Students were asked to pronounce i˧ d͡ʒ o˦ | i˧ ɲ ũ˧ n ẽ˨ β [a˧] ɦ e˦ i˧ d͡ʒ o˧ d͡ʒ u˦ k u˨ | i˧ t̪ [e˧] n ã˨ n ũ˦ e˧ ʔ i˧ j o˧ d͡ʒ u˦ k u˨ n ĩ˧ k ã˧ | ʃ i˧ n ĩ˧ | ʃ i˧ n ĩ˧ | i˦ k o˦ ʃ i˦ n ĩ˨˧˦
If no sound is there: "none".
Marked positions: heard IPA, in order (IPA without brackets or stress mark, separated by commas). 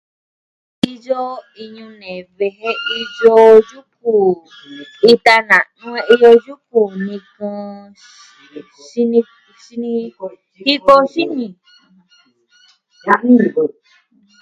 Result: e˧, a˧